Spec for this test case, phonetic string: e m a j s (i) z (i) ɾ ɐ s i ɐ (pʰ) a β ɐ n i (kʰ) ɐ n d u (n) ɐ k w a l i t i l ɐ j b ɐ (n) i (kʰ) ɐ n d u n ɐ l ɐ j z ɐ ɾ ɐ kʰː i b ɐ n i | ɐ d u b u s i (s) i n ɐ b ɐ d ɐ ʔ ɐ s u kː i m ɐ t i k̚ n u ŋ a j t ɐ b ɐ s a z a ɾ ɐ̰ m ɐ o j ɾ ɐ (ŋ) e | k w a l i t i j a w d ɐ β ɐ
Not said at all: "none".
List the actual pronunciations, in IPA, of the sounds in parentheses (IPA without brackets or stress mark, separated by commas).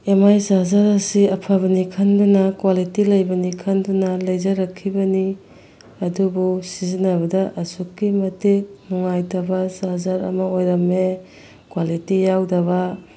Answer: a, a, pʰ, kʰ, n, n, kʰ, z, m